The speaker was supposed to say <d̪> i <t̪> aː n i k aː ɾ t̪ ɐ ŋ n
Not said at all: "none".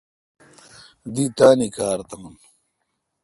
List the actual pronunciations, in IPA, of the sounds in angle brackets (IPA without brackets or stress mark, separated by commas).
d̪, t̪